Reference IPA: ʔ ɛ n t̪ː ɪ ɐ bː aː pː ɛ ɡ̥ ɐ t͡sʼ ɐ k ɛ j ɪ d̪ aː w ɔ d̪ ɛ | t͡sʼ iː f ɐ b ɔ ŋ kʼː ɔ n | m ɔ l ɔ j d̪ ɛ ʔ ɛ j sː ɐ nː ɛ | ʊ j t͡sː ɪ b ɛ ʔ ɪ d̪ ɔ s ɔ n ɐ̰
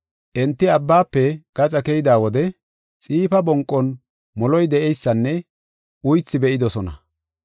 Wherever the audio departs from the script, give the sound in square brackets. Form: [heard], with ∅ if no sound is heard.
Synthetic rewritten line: ʔ ɛ n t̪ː ɪ ɐ bː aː pː ɛ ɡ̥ ɐ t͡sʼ ɐ k ɛ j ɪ d̪ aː w ɔ d̪ ɛ | t͡sʼ iː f ɐ b ɔ ŋ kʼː ɔ n | m ɔ l ɔ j d̪ ɛ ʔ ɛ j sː ɐ nː ɛ | ʊ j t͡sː ɪ b ɛ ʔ ɪ d̪ ɔ s ɔ n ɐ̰